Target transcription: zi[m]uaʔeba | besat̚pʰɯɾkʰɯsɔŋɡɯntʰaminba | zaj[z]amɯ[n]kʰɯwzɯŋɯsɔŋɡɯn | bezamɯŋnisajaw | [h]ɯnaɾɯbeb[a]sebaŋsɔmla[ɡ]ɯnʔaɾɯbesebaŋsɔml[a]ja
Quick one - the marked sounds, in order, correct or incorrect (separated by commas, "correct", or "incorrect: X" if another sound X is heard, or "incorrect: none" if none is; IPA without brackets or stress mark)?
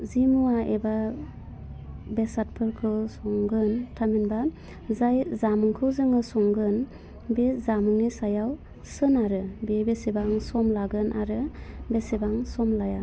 correct, correct, incorrect: ŋ, incorrect: s, incorrect: e, correct, correct